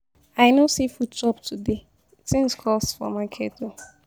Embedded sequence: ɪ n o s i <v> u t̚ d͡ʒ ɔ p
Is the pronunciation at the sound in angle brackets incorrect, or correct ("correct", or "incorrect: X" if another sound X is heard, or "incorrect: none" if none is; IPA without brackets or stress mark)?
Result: incorrect: f